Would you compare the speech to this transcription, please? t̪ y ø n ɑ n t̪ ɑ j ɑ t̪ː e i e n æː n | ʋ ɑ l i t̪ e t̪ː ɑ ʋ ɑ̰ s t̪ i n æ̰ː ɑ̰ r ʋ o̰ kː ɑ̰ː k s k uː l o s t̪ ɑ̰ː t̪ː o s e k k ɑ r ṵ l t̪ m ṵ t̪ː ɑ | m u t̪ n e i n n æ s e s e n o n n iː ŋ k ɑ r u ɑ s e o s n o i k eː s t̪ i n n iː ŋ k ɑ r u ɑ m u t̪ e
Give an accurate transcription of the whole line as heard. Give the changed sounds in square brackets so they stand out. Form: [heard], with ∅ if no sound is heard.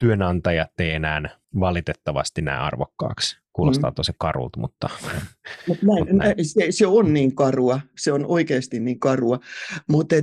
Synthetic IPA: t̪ y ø n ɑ n t̪ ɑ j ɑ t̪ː e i e n æː n | ʋ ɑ l i t̪ e t̪ː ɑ ʋ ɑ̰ s t̪ i n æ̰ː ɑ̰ r ʋ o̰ kː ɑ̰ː k s k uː l o s t̪ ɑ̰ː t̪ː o s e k k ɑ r ṵ l t̪ m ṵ t̪ː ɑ | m u t̪ n [æ] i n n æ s e s e [∅] o n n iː ŋ k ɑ r u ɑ s e o [∅] n o i k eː s t̪ i n n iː ŋ k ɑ r u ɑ m u t̪ e